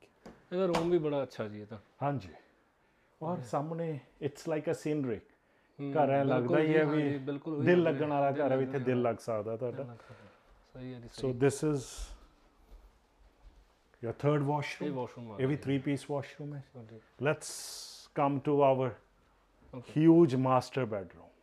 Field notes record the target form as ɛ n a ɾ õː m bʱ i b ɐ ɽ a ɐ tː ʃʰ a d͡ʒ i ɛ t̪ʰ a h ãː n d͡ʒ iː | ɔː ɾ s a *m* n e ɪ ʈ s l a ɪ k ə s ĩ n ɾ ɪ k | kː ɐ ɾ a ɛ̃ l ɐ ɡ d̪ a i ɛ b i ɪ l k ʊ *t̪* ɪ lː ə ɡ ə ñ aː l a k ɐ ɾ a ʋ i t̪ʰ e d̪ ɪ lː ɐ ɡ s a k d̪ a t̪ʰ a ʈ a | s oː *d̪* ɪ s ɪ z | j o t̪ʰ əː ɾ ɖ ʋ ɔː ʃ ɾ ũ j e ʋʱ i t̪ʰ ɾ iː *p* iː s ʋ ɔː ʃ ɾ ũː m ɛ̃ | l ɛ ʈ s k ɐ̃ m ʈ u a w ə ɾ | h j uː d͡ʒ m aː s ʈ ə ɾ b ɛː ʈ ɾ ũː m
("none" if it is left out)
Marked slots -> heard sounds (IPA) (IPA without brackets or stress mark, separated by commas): m, d̪, d̪, p